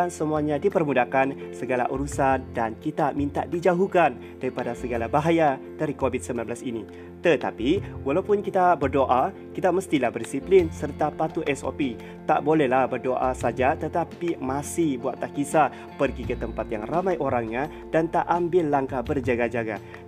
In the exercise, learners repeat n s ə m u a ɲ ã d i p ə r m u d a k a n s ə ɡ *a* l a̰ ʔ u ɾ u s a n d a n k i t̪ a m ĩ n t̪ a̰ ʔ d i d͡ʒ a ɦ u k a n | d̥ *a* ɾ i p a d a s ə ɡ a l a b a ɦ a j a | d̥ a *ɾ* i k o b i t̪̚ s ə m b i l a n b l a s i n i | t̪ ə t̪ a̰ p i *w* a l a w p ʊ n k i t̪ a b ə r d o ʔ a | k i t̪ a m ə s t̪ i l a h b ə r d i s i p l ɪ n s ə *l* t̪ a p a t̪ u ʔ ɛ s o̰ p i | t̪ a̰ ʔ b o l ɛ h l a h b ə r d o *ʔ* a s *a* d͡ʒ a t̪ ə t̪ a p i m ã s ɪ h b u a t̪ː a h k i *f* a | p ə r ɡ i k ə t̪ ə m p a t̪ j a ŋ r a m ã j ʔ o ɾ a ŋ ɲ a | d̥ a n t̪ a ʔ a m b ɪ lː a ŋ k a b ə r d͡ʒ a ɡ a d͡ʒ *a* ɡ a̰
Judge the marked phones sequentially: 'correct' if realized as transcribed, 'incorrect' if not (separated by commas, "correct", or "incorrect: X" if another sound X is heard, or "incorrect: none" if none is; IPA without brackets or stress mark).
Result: correct, correct, correct, correct, incorrect: r, correct, correct, incorrect: s, correct